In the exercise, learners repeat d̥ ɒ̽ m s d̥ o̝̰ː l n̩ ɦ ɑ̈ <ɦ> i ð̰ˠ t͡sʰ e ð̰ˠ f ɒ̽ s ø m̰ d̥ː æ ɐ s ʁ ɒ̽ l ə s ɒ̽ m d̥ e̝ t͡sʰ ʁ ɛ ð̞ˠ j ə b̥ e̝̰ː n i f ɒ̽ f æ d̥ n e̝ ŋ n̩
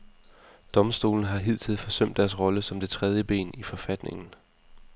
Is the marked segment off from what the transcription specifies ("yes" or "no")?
no